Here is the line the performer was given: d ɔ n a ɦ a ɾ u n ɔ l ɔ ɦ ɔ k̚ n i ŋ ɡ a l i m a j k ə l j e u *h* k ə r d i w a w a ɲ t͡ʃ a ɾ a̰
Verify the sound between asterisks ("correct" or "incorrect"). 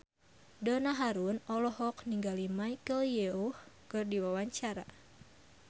correct